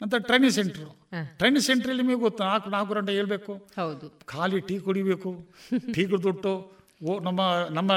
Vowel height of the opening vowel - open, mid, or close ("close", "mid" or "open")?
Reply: open